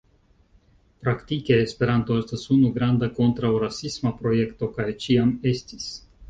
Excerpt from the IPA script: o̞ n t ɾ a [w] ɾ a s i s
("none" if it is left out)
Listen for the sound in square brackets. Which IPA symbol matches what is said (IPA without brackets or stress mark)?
w